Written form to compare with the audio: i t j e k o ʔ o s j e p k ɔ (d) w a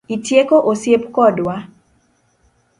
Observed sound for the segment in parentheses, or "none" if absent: d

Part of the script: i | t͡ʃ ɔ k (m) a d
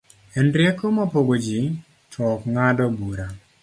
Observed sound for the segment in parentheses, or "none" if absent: ŋ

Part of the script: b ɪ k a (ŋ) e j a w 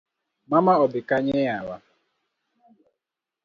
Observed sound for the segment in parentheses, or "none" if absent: ɲ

